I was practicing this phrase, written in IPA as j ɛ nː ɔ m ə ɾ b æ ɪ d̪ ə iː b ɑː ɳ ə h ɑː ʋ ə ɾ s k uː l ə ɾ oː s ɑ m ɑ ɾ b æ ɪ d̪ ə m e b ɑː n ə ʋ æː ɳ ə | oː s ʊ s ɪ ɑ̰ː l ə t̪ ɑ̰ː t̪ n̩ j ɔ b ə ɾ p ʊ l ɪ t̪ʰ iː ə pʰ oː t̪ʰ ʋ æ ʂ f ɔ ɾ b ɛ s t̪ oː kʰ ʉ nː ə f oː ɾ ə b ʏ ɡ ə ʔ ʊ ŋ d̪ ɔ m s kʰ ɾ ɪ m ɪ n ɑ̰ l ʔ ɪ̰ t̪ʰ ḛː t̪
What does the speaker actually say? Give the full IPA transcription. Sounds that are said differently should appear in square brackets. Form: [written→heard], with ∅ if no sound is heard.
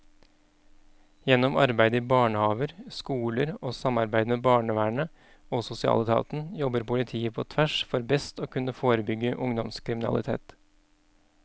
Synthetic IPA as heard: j ɛ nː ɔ m [ə→ɑ] ɾ b æ ɪ d̪ ə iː b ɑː ɳ ə h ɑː ʋ ə ɾ s k uː l ə ɾ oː s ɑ m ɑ ɾ b æ ɪ d̪ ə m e b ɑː [n→ɳ] ə ʋ æː ɳ ə | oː s ʊ s ɪ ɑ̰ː l ə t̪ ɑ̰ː t̪ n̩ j ɔ b ə ɾ p ʊ l ɪ t̪ʰ iː ə pʰ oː t̪ʰ ʋ æ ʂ f ɔ ɾ b ɛ s t̪ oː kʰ ʉ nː ə f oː ɾ ə b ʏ ɡ ə ʔ ʊ ŋ d̪ ɔ m s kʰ ɾ ɪ m ɪ n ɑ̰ l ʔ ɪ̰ t̪ʰ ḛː t̪